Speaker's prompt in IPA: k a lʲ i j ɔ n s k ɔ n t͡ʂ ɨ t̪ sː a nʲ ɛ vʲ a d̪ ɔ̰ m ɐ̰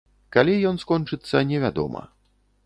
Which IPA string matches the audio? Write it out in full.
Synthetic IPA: k a lʲ i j ɔ n s k ɔ n t͡ʂ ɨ t̪ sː ɐ nʲ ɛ vʲ a d̪ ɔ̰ m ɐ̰